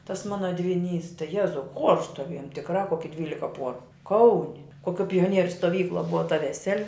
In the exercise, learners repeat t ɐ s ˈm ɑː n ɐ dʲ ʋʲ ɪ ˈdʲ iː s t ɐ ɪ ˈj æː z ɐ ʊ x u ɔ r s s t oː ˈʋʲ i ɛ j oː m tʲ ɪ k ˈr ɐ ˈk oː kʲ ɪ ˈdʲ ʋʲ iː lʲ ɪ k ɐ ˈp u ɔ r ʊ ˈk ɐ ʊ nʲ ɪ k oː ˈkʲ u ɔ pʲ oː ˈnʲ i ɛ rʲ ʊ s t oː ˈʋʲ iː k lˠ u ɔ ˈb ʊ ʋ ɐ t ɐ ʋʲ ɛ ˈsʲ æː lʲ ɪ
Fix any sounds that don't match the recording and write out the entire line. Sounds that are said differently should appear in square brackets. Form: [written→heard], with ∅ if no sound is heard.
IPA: t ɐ s ˈm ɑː n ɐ dʲ ʋʲ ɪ [ˈdʲ→ˈnʲ] iː s t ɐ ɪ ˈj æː z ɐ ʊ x u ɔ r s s t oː ˈʋʲ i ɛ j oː m tʲ ɪ k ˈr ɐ ˈk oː kʲ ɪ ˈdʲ ʋʲ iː lʲ ɪ k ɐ ˈp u ɔ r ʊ ˈk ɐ ʊ nʲ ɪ k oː ˈkʲ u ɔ pʲ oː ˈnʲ i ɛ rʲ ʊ s t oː ˈʋʲ iː k lˠ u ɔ ˈb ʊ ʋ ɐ t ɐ ʋʲ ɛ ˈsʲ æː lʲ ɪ